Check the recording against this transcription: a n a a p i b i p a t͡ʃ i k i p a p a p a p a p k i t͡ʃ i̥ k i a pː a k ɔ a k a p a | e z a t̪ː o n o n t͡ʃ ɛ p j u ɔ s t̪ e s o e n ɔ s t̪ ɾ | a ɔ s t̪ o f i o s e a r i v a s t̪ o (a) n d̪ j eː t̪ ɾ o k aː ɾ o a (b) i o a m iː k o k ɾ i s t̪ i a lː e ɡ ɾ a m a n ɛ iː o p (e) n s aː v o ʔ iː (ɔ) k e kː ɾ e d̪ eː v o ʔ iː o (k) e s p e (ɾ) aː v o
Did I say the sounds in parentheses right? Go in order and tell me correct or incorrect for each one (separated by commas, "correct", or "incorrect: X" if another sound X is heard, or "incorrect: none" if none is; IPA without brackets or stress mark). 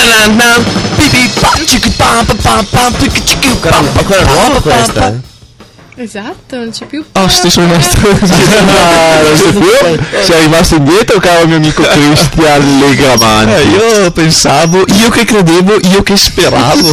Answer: incorrect: i, incorrect: m, correct, incorrect: o, correct, correct